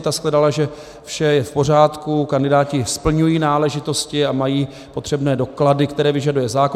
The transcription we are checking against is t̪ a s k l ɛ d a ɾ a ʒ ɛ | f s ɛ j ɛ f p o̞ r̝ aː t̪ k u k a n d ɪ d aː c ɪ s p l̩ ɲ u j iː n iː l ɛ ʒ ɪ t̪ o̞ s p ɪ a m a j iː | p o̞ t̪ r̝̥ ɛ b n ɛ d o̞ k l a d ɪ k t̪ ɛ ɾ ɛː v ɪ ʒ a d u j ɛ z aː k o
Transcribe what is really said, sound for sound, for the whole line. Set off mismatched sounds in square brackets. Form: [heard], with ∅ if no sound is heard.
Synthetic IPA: t̪ a s k l ɛ d a [l] a ʒ ɛ | f [ʃ] ɛ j ɛ f p o̞ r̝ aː t̪ k u k a n d ɪ d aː c ɪ s p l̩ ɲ u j iː n [aː] l ɛ ʒ ɪ t̪ o̞ s [c] ɪ a m a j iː | p o̞ t̪ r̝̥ ɛ b n [ɛː] d o̞ k l a d ɪ k t̪ ɛ ɾ ɛː v ɪ ʒ a d u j ɛ z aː k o